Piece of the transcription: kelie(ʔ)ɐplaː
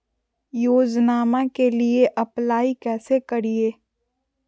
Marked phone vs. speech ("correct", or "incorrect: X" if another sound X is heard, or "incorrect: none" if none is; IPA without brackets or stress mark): correct